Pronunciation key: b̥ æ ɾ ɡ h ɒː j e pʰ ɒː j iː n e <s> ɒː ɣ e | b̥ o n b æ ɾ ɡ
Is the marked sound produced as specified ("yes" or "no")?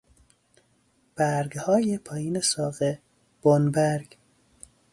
yes